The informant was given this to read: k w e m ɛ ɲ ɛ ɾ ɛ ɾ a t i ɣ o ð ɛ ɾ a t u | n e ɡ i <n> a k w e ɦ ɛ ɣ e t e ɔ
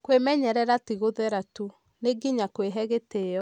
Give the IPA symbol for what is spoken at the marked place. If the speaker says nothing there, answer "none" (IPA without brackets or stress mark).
ɲ